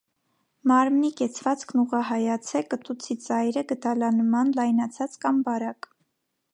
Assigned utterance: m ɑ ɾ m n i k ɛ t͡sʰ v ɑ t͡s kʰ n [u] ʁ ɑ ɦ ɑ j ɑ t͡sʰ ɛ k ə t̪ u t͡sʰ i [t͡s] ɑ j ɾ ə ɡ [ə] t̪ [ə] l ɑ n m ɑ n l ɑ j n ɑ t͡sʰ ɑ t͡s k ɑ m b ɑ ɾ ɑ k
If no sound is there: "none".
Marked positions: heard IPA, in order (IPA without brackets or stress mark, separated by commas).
u, t͡s, ə, ɑ